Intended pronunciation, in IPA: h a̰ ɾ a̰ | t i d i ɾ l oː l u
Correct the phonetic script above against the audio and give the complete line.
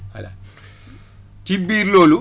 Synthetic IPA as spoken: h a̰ l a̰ | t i b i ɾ l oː l u